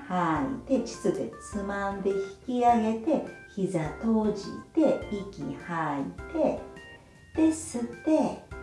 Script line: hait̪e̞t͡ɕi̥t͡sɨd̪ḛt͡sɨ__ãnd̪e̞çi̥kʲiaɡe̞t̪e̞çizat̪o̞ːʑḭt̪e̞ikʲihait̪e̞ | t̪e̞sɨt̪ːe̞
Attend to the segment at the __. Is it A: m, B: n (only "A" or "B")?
A